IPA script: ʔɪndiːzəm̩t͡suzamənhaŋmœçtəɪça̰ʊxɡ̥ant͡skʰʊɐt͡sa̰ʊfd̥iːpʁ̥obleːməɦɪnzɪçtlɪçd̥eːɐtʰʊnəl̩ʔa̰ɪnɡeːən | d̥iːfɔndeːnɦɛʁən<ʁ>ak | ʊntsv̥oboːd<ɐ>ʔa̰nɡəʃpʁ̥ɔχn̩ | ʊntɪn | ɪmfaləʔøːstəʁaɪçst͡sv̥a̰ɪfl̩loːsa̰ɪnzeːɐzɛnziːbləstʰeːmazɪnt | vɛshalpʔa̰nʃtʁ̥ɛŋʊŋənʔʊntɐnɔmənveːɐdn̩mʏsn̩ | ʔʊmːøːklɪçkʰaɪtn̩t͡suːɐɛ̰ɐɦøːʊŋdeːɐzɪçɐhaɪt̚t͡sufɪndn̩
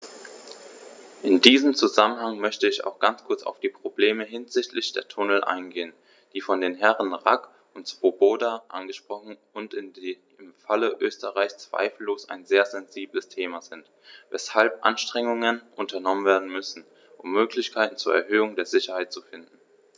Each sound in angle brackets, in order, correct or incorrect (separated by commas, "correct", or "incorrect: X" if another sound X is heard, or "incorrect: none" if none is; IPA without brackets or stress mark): correct, incorrect: a